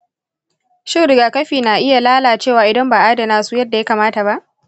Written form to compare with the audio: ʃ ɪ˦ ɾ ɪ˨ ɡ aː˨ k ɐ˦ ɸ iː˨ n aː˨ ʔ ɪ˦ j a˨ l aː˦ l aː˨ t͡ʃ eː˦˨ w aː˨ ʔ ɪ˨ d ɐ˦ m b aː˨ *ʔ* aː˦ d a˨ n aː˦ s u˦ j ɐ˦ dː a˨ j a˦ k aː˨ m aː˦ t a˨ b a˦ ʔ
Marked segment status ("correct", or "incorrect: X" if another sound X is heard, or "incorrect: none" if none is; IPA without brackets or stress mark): correct